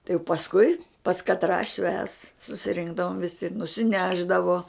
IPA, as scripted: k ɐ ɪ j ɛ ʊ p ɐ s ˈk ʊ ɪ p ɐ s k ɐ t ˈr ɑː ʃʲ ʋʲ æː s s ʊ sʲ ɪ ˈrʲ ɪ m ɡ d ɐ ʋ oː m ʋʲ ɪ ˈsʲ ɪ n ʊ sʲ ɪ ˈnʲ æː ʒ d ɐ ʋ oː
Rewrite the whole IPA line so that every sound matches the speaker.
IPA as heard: t ɐ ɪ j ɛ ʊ p ɐ s ˈk ʊ ɪ p ɐ s k ɐ t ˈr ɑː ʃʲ ʋʲ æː s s ʊ sʲ ɪ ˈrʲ ɪ ŋ ɡ d ɐ ʋ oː m ʋʲ ɪ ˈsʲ ɪ n ʊ sʲ ɪ ˈnʲ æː ʒ d ɐ ʋ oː